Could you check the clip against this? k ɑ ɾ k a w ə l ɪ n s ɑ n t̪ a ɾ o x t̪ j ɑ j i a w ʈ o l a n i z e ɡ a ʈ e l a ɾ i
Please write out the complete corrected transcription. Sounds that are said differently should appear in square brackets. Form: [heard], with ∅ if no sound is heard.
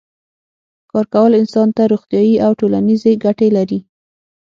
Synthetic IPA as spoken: k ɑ ɾ k a w ə l ɪ n s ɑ n t̪ a ɾ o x t̪ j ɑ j i a w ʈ o l a n i z e ɡ a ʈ e l a ɾ i